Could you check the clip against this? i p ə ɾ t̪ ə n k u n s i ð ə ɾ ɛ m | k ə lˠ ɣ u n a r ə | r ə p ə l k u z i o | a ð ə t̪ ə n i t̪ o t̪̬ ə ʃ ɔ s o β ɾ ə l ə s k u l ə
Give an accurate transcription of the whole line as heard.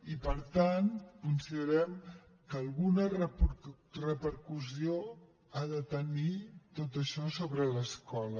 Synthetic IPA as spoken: i p ə ɾ t̪ a n k u n s i ð ə ɾ ɛ m | k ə lˠ ɣ u n ə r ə | r ə p ə ɾ k u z i o | a ð ə t̪ ə n i t̪ o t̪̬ ə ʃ ɔ s o β ɾ ə l ə s k ɔ l ə